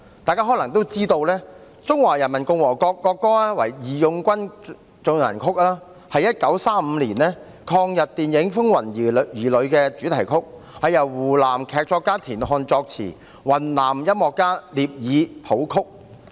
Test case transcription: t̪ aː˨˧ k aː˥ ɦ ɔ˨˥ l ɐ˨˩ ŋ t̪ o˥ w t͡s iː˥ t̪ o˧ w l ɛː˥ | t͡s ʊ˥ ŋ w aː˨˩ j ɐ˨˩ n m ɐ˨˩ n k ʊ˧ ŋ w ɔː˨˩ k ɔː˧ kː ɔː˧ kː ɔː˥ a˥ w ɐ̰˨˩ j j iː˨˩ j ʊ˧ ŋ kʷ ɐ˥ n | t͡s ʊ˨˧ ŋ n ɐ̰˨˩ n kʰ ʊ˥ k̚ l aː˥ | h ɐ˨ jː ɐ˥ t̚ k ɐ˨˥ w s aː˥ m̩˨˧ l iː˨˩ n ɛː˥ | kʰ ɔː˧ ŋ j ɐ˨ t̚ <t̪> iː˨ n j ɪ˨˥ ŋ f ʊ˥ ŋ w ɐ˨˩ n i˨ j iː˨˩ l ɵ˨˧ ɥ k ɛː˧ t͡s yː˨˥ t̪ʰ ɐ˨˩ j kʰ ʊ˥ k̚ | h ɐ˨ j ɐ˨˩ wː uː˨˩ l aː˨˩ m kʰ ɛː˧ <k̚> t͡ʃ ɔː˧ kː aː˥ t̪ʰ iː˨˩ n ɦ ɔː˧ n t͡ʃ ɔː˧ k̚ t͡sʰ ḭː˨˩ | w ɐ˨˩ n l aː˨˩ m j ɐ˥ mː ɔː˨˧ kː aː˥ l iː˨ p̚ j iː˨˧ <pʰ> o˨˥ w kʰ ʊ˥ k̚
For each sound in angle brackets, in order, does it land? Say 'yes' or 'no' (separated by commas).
yes, yes, yes